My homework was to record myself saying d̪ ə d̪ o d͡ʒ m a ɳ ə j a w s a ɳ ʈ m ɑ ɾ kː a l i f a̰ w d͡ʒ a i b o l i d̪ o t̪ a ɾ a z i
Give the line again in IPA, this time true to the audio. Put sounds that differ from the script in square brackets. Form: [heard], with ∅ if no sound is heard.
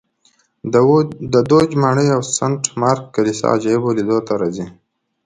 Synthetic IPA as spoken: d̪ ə d̪ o d͡ʒ m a ɳ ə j a w s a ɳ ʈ m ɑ ɾ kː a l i [s] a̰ [∅] d͡ʒ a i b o l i d̪ o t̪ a ɾ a z i